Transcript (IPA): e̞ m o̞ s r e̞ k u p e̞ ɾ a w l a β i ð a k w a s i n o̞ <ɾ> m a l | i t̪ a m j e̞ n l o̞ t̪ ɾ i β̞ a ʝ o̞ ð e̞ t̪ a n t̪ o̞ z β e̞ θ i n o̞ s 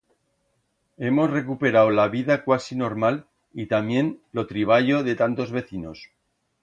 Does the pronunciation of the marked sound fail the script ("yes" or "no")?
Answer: no